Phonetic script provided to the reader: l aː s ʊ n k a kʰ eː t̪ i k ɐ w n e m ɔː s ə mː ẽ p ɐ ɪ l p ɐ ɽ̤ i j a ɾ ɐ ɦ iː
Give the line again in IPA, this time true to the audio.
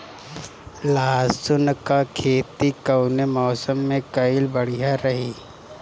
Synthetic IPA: l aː s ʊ n k a kʰ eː t̪ i k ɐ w n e m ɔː s ə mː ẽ k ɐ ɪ l b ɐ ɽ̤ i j a ɾ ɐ ɦ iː